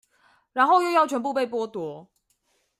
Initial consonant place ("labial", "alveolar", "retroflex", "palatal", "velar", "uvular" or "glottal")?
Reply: retroflex